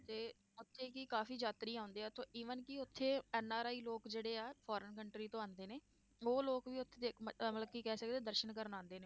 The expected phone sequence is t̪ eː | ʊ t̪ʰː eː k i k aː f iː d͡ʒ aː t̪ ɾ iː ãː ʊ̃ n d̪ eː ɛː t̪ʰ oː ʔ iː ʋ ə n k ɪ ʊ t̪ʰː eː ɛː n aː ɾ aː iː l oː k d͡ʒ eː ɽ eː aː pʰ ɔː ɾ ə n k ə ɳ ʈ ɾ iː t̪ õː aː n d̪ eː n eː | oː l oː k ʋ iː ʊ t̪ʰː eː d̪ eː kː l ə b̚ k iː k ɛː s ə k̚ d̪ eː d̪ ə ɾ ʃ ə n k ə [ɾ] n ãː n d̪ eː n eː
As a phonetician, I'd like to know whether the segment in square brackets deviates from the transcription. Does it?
no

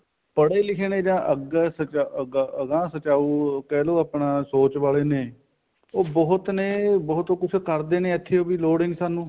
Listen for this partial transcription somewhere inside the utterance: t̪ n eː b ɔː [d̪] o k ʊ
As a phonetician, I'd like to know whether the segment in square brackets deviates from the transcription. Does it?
yes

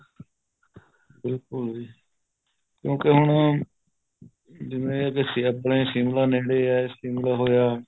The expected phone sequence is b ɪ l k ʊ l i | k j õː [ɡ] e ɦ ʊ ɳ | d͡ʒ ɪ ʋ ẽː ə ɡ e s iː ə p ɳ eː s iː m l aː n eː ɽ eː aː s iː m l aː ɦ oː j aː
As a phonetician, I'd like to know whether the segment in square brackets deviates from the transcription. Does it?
yes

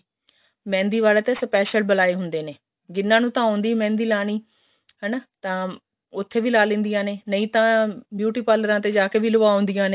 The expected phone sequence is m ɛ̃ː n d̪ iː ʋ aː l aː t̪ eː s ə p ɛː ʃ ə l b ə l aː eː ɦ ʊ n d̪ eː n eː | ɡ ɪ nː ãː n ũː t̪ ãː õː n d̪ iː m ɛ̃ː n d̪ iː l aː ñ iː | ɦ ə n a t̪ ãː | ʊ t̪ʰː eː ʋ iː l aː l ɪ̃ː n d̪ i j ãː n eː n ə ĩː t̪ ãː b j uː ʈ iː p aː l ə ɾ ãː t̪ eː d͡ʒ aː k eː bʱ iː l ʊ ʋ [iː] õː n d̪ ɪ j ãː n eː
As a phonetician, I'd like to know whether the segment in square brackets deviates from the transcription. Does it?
yes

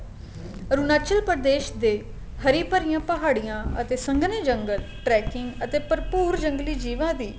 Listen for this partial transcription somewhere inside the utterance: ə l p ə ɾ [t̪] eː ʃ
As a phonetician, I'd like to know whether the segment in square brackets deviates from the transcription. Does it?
yes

